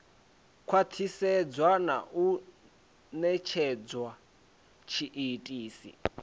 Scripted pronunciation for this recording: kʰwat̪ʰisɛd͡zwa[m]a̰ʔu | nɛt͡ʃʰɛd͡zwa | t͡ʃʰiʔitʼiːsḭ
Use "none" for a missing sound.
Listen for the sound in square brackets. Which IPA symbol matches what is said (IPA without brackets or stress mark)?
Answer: n